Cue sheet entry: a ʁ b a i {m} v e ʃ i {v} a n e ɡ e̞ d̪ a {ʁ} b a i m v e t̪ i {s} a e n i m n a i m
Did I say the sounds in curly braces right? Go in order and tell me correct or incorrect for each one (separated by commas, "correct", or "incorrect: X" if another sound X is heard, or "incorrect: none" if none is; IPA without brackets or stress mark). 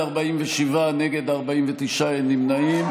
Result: correct, correct, correct, incorrect: ʃ